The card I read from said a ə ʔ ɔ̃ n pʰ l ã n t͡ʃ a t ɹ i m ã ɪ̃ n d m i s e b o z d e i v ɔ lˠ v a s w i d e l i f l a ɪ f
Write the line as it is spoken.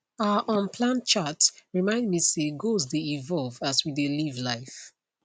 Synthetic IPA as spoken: a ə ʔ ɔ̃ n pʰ l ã n t͡ʃ a t ɹ i m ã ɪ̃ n d m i s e ɡ o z d e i v ɔ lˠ v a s w i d e l i v l a ɪ f